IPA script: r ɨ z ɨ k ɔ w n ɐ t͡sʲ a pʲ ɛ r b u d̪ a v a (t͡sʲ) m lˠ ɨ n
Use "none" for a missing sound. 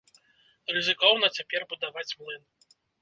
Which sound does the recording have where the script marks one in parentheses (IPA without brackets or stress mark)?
t͡sʲ